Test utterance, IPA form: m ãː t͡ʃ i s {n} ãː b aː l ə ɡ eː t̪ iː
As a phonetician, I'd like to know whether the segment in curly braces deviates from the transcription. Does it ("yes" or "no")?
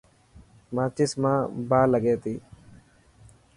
yes